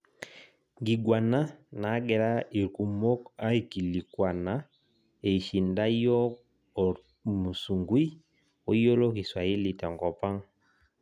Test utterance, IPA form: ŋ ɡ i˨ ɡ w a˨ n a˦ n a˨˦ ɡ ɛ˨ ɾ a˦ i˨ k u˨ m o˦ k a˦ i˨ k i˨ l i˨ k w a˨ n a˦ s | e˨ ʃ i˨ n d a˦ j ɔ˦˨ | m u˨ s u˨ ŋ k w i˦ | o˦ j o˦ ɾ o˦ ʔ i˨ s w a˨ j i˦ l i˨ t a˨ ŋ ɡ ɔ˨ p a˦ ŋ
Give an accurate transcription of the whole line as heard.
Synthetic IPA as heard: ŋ ɡ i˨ ɡ w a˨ n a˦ n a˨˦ ɡ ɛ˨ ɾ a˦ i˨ k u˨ m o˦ k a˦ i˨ k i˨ l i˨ k w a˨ n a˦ | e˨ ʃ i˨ n d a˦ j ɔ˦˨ | m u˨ s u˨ ŋ ɡ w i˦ | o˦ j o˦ l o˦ k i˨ s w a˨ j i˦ l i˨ t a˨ ŋ ɡ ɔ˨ p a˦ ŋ